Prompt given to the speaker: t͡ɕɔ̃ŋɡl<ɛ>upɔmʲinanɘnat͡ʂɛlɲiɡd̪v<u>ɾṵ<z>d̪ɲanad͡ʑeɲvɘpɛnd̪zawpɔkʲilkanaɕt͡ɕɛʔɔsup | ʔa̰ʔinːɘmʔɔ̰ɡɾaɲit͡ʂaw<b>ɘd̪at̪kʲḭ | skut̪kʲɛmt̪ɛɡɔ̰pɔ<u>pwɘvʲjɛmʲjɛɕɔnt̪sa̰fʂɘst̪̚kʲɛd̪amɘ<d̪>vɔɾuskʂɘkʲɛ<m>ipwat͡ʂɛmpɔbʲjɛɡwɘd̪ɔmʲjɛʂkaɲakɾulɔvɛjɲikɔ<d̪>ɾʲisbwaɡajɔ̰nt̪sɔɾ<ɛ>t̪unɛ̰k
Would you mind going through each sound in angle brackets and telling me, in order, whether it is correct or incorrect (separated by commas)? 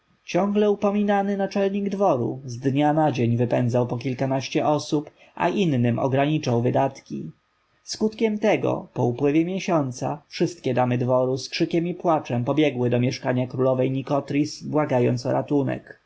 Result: correct, incorrect, correct, incorrect, correct, correct, correct, incorrect, incorrect